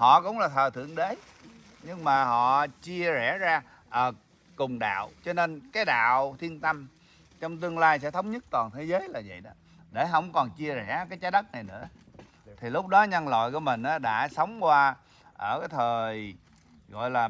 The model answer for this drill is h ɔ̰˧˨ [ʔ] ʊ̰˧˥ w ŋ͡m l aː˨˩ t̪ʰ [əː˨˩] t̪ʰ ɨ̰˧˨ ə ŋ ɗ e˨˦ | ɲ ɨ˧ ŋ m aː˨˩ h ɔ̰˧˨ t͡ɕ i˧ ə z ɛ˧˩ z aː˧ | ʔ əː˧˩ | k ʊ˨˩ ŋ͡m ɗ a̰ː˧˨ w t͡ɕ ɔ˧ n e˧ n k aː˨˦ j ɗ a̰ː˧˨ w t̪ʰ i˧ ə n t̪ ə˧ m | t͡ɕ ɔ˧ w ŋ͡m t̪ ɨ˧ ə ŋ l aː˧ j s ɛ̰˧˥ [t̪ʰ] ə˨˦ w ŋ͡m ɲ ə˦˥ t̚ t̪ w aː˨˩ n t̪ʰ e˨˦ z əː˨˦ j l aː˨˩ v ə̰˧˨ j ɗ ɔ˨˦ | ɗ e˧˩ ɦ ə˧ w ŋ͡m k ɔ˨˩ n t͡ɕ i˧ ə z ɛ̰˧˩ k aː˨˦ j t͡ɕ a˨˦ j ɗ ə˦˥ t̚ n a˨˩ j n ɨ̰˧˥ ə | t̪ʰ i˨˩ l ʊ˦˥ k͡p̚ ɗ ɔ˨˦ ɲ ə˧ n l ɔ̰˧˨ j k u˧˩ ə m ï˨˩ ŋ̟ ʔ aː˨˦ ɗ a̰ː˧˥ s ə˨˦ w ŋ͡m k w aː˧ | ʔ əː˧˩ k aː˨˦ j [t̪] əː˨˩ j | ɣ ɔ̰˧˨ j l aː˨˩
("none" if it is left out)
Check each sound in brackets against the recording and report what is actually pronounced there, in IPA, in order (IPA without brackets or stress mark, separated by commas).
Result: k, əː˨˩, t̪ʰ, t̪ʰ